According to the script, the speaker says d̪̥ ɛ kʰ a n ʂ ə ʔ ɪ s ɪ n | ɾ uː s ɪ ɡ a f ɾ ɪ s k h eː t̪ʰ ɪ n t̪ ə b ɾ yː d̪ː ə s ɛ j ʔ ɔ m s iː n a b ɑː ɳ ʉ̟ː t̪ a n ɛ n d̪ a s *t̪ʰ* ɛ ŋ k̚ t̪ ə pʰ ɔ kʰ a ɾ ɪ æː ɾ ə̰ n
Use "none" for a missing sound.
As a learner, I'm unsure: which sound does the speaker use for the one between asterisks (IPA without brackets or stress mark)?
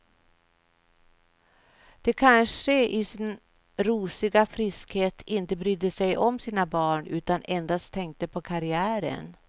t̪ʰ